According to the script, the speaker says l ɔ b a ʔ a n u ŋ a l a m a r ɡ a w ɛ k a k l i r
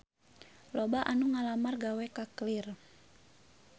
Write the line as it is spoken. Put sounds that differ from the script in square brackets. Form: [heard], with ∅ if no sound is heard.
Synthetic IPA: l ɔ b a ʔ a n u ŋ a l a m a r ɡ a w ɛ k a k l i r